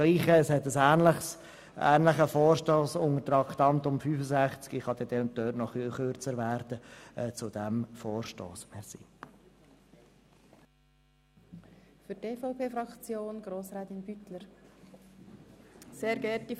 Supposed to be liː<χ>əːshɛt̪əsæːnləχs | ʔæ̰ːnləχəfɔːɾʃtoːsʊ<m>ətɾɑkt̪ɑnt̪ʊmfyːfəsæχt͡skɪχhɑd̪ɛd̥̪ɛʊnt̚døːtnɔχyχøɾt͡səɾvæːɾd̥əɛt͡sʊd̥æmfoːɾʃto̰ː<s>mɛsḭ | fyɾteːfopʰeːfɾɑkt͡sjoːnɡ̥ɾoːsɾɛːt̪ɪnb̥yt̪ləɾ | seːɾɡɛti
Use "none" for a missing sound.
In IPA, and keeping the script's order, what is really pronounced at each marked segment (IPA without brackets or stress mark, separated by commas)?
χ, ŋ, s